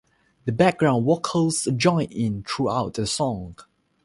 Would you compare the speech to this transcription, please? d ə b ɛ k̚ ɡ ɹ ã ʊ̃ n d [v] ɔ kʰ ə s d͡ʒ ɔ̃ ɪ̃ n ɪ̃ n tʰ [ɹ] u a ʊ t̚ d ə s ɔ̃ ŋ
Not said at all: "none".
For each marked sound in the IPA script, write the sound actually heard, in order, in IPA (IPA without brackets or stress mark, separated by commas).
w, ɹ